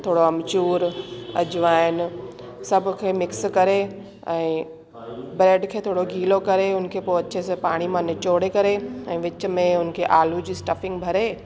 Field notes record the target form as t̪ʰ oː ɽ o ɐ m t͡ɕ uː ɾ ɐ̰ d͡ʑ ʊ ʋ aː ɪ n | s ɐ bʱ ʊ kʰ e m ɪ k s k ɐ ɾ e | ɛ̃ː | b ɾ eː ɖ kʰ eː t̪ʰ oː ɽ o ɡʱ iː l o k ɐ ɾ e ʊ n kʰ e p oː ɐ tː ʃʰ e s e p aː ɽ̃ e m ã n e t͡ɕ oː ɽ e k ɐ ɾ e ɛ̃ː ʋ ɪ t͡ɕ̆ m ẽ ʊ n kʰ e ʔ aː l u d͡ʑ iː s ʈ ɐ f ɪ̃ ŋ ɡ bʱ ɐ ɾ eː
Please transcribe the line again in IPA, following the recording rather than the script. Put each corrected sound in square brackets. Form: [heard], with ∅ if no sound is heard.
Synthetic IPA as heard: t̪ʰ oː ɽ o ɐ m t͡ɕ uː ɾ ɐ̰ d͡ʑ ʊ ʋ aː ɪ n | s ɐ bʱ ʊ kʰ e m ɪ k s k ɐ ɾ e | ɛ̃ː | b ɾ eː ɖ kʰ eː t̪ʰ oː ɽ o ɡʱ iː l o k ɐ ɾ e ʊ n kʰ e p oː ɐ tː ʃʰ e s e p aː ɽ̃ [i] m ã n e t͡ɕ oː ɽ e k ɐ ɾ e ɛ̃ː ʋ ɪ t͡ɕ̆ m ẽ ʊ n kʰ e ʔ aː l u d͡ʑ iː s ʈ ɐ f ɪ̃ ŋ ɡ bʱ ɐ ɾ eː